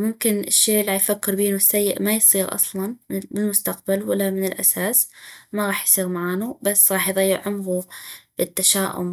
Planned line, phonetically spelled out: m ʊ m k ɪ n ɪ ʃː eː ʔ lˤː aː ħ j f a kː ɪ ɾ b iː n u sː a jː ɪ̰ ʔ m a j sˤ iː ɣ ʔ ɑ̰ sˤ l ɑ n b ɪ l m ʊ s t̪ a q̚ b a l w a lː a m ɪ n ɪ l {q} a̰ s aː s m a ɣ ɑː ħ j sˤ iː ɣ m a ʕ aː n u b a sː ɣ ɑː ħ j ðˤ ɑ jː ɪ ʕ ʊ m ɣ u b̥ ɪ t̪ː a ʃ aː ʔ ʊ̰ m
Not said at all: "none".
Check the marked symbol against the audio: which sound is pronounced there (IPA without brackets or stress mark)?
ʔ